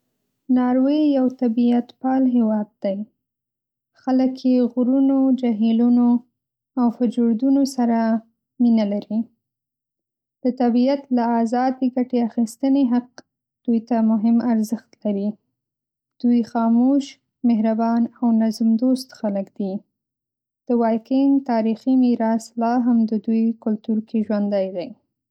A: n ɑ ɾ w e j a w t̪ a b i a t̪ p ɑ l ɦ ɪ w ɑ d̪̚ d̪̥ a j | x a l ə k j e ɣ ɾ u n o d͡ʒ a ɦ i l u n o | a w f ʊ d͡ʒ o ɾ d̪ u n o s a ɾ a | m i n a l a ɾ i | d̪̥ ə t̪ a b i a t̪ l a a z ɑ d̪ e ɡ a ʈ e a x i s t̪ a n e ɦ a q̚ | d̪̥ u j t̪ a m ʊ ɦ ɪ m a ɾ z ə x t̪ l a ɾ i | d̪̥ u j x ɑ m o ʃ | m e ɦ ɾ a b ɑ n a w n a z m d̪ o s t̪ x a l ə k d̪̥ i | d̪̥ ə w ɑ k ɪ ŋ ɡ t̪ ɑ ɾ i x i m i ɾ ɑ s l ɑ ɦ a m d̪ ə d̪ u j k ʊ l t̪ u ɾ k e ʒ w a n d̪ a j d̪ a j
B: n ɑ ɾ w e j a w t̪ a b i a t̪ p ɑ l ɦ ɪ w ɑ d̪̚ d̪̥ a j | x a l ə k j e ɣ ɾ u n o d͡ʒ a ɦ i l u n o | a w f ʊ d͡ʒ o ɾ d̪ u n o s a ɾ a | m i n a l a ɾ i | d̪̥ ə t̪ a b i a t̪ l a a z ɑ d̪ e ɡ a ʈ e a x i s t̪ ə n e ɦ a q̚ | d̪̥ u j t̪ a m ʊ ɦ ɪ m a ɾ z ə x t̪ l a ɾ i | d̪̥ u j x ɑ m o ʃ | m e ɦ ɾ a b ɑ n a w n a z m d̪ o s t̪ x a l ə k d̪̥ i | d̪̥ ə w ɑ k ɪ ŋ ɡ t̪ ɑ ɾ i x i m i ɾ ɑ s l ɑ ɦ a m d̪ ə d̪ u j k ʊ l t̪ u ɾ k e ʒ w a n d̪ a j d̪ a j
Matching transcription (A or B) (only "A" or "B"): B